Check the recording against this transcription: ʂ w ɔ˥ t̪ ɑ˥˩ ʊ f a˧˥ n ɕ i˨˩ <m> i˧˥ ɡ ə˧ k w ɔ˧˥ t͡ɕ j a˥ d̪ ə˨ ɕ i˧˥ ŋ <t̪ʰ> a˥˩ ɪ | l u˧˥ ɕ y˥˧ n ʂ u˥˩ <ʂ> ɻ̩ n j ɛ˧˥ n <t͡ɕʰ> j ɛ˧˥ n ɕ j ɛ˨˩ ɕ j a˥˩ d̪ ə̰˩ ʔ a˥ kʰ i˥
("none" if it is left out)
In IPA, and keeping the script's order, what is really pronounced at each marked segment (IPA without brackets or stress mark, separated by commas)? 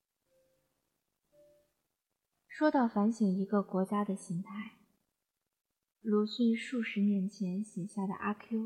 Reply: ŋ, t̪ʰ, ʂ, t͡ɕʰ